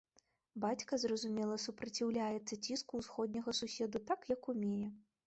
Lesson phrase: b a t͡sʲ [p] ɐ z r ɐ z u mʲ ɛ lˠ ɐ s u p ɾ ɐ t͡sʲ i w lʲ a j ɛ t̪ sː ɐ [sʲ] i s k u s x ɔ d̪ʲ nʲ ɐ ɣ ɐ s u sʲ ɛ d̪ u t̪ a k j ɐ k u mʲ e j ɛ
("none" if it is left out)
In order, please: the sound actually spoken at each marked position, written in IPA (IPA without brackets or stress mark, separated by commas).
k, t͡sʲ